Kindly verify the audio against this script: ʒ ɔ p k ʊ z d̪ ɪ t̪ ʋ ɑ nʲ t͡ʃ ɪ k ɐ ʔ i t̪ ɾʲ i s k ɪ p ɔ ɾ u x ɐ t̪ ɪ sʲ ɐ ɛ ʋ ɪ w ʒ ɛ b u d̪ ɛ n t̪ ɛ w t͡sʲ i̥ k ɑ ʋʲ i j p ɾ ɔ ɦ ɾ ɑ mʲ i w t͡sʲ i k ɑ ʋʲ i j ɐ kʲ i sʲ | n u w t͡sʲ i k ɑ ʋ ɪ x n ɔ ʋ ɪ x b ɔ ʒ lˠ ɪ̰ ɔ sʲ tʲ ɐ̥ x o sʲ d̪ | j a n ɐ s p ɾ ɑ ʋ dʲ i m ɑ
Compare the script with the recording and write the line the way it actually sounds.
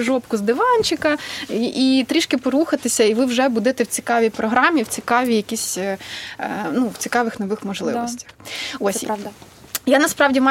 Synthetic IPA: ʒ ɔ p k ʊ z d̪ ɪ ʋ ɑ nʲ t͡ʃ ɪ k ɐ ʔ i t̪ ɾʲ i ʃ k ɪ p ɔ ɾ u x ɐ t̪ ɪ sʲ ɐ i ʋ ɪ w ʒ ɛ b u d̪ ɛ t̪ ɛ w t͡sʲ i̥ k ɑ ʋʲ i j p ɾ ɔ ɦ ɾ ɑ mʲ i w t͡sʲ i k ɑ ʋʲ i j ɐ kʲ i sʲ | n u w t͡sʲ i k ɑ ʋ ɪ x n ɔ ʋ ɪ x m ɔ ʒ lˠ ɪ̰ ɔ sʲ tʲ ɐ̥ x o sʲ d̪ | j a n ɐ s p ɾ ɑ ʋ dʲ i m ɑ